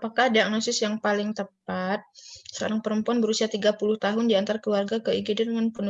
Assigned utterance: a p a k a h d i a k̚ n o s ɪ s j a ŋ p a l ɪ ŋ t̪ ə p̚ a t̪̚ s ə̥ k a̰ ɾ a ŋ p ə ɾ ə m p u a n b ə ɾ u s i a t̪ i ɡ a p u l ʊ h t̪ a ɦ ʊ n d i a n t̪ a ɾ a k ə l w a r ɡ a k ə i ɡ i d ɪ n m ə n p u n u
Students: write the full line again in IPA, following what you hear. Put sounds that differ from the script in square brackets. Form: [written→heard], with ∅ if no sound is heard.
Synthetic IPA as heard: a p a k a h d i a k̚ n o s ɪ s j a ŋ p a l ɪ ŋ t̪ ə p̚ a t̪̚ s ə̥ k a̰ ɾ a ŋ p ə ɾ ə m p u a n b ə ɾ u s i a t̪ i ɡ a p u l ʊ h t̪ a ɦ ʊ n d i a n t̪ a ɾ a k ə l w a r ɡ a k ə i ɡ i d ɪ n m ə n p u n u